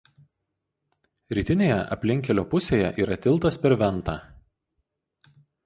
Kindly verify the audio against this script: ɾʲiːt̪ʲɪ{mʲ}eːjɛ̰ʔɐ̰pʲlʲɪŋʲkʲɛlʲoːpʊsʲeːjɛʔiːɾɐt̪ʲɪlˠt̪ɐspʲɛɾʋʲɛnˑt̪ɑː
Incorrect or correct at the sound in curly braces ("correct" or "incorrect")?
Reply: incorrect